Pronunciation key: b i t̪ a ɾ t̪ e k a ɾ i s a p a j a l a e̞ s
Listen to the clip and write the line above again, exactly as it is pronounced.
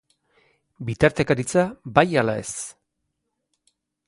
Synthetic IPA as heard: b i t̪ a ɾ t̪ e k a ɾ i t͡s a b a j a l a e̞ s